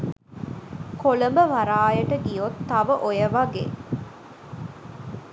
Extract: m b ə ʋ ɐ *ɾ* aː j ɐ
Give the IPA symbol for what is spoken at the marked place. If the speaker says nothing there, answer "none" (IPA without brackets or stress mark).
ɾ